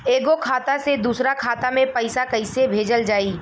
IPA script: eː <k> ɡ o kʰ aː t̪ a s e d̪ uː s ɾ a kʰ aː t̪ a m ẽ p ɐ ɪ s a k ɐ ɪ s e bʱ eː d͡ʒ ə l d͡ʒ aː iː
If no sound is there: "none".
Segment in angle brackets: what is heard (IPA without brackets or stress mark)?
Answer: none